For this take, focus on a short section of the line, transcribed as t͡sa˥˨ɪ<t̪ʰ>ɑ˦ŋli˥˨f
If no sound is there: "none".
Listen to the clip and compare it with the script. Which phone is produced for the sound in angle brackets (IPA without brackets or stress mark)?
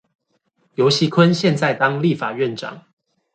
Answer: t̪